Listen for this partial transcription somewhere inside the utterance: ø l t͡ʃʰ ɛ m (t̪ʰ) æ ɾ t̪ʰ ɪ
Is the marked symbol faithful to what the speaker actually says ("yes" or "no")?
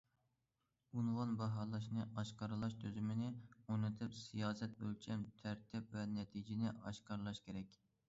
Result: yes